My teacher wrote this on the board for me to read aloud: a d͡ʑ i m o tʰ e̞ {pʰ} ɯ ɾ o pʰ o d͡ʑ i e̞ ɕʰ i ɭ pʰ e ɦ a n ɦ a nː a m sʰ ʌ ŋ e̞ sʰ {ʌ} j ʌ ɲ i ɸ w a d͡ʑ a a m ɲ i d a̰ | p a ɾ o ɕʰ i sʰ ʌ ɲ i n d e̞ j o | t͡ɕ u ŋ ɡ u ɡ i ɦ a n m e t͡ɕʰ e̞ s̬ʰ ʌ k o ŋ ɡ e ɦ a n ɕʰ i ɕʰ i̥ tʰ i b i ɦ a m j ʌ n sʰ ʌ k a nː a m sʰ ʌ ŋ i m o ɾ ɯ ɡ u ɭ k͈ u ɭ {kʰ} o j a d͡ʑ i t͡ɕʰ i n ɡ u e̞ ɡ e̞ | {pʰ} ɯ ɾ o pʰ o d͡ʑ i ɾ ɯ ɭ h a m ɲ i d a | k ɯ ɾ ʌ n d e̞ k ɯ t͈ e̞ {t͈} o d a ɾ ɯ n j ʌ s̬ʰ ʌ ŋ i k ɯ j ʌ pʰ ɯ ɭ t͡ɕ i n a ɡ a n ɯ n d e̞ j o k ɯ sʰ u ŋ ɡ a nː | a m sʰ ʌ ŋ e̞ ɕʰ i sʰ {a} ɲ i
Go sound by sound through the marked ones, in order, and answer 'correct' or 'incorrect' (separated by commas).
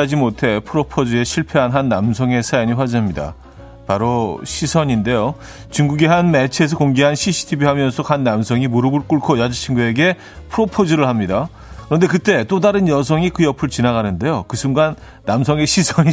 correct, incorrect, correct, correct, correct, incorrect